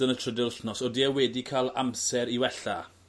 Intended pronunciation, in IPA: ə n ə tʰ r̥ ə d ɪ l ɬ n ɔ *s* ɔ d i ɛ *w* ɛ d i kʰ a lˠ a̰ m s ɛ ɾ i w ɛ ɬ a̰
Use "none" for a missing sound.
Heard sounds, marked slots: s, w

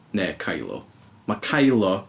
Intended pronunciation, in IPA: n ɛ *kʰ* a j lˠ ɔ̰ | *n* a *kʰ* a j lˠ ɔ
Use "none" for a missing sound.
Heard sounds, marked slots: kʰ, m, kʰ

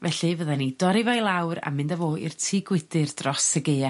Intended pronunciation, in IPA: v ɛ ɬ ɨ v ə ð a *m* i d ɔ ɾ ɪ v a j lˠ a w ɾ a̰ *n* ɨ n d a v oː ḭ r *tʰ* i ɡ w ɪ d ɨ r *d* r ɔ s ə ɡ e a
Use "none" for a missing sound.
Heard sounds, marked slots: n, m, tʰ, d

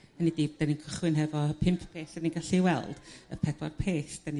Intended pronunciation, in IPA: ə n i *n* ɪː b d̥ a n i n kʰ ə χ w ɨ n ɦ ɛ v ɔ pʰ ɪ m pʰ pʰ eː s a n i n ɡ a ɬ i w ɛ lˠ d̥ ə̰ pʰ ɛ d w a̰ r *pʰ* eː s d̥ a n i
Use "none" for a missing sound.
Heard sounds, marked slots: d, pʰ

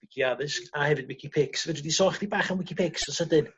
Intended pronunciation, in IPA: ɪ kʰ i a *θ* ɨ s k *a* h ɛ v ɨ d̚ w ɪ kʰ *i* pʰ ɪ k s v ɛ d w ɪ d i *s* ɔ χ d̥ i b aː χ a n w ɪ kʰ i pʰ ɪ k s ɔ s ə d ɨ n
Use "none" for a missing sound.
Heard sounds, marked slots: ð, a, i, s

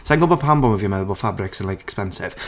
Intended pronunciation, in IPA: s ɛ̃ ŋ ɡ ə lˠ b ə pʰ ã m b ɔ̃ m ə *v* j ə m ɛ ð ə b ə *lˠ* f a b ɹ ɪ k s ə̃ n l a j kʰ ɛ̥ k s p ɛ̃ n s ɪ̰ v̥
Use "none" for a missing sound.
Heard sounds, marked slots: v, lˠ

